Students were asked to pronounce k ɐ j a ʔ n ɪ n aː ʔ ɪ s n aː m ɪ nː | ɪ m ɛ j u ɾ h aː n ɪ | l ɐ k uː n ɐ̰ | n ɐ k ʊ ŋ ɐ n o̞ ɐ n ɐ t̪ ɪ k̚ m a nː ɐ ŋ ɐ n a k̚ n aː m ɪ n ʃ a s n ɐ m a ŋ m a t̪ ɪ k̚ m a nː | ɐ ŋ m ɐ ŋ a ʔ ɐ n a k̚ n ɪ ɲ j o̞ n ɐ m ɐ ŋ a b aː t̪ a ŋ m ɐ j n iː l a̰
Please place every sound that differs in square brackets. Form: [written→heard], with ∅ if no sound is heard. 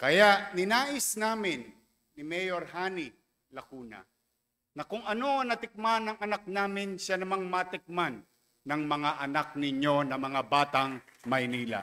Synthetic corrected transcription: k ɐ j a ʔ n ɪ n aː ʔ ɪ s n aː m ɪ nː | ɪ m ɛ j [u→o] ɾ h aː n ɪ | l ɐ k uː n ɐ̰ | n ɐ k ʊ ŋ ɐ n o̞ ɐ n ɐ t̪ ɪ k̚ m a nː ɐ ŋ ɐ n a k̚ n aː m ɪ n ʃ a [s→∅] n ɐ m a ŋ m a t̪ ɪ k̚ m a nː | ɐ ŋ m ɐ ŋ a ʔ ɐ n a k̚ n ɪ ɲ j o̞ n ɐ m ɐ ŋ a b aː t̪ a ŋ m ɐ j n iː l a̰